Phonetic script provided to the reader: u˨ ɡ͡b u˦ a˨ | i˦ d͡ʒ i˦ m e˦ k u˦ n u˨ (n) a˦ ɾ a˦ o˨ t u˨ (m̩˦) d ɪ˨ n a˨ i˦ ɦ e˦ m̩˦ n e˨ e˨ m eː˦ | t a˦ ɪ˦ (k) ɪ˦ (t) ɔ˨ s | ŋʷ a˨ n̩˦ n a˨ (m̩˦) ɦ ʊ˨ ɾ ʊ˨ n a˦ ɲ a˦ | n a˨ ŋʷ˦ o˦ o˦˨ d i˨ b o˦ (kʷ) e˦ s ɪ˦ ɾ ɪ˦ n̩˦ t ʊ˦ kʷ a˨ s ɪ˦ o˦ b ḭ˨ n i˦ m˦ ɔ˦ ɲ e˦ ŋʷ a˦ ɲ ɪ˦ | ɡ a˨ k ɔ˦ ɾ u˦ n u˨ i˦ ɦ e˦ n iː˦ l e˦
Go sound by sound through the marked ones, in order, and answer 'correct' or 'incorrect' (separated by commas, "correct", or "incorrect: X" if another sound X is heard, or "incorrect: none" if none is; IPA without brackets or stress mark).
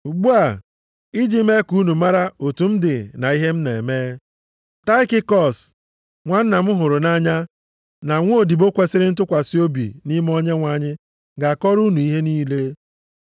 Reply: incorrect: m, correct, correct, incorrect: k, correct, correct